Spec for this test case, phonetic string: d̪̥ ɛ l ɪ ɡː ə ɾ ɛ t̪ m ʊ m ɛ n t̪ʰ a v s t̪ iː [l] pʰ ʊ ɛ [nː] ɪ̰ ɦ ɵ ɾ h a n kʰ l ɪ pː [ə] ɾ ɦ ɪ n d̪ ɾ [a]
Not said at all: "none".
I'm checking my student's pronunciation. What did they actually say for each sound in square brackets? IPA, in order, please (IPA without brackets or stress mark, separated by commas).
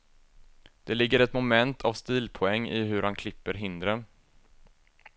l, ŋː, ə, ə